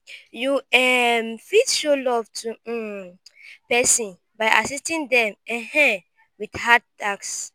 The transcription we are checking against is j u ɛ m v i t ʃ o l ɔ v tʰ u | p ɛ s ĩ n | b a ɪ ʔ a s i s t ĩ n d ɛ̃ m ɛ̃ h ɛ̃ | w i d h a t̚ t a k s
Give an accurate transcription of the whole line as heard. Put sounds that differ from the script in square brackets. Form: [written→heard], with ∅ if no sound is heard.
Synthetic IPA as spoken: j u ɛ m [v→f] i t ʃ o l ɔ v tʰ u | p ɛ s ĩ n | b a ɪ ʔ a s i s t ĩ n d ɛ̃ m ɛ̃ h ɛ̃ | w i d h a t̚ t a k s